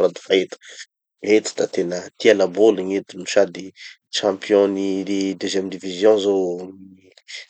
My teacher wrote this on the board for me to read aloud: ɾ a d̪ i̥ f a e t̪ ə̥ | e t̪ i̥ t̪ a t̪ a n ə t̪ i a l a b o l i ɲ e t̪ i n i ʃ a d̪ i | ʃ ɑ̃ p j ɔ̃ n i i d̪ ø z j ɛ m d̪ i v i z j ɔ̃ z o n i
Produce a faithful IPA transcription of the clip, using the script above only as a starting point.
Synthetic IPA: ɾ a d̪ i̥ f a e t̪ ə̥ | e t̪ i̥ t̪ a t̪ e n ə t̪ i a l a b o l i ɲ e t̪ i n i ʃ a d̪ i | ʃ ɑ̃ p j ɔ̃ n i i d̪ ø z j ɛ m d̪ i v i z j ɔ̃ z o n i